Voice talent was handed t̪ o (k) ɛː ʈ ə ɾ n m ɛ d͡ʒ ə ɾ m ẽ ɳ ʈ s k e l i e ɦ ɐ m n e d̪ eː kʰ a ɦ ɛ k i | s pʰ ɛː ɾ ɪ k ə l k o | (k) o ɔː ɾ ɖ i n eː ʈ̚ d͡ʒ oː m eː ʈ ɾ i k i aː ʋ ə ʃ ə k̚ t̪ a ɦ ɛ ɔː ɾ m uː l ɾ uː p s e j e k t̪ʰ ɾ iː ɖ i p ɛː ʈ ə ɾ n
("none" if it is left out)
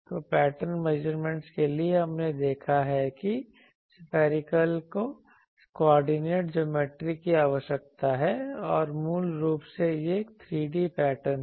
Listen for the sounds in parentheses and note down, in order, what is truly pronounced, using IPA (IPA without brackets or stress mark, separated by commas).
p, k